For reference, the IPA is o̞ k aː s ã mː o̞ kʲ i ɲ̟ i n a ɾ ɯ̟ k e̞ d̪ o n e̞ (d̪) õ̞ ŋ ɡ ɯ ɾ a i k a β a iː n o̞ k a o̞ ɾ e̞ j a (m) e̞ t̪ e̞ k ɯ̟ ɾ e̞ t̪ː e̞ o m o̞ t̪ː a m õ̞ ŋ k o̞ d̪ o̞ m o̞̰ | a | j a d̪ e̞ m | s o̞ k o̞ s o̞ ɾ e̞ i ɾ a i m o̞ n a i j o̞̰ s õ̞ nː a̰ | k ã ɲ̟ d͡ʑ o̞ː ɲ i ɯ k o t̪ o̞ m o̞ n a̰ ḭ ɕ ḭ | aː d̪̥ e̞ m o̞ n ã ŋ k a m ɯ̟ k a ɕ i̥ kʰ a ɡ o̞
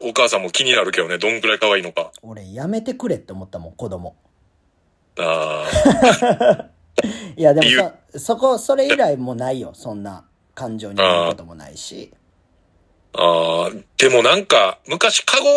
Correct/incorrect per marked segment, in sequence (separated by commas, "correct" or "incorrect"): correct, correct